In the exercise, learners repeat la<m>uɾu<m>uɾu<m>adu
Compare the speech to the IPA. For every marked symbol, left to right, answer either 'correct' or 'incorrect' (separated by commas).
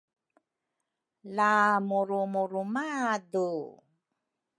correct, correct, correct